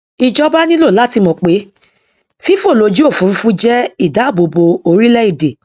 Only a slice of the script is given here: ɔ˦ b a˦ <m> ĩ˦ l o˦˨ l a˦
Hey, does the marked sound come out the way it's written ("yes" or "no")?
no